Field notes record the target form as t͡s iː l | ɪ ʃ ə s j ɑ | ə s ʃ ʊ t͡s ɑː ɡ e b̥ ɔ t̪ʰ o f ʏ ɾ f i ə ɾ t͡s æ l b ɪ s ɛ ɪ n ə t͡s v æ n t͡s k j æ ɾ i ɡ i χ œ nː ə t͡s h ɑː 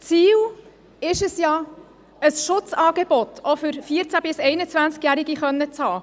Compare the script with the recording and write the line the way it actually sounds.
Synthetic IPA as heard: t͡s iː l | ɪ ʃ ə s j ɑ | ə s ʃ ʊ t͡s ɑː ɡ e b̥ ɔ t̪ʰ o f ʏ ɾ f i ə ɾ t͡s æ b ɪ s ɛ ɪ n ə t͡s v æ n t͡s k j æ ɾ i ɡ i χ œ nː ə t͡s h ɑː